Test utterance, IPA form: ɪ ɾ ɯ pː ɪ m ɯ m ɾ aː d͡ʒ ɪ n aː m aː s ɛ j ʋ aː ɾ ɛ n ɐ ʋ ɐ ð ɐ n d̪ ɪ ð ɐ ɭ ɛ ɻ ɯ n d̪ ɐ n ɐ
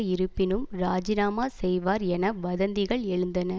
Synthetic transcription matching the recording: ɪ ɾ ɯ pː ɪ n ɯ m ɾ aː d͡ʒ ɪ n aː m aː s ɛ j ʋ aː ɾ ɛ n ɐ ʋ ɐ ð ɐ n d̪ ɪ ɣ ɐ ɭ ɛ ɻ ɯ n d̪ ɐ n ɐ